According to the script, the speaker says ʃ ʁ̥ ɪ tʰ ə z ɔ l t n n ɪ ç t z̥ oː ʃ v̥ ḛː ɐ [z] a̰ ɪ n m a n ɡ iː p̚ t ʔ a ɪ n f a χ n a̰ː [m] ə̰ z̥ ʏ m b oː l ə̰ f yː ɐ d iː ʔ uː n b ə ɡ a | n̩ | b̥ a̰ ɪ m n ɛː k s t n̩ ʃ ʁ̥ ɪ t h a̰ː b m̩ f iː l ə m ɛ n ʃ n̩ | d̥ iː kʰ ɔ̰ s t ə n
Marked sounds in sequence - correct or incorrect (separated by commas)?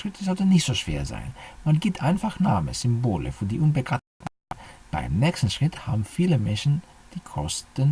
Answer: correct, correct